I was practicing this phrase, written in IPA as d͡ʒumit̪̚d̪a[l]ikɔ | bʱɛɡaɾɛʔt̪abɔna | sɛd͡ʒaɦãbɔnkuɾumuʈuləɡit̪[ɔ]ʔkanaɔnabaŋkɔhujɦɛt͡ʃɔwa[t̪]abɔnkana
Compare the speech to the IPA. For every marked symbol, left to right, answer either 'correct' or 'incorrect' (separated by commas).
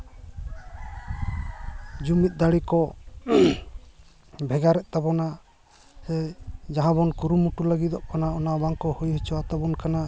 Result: incorrect, correct, correct